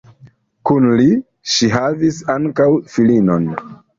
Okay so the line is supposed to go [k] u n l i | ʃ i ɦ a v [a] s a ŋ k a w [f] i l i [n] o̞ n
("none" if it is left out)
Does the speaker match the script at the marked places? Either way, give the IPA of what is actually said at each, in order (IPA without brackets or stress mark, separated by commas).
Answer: k, i, f, n